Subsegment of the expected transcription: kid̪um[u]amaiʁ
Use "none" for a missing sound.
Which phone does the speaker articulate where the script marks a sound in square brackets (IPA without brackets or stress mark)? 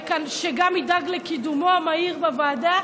o